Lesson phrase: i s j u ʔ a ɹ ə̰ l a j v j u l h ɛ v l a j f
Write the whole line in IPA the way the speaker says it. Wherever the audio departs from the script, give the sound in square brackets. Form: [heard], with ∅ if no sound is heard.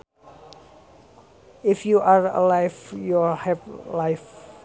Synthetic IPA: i [f] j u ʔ a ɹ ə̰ l a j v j u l h ɛ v l a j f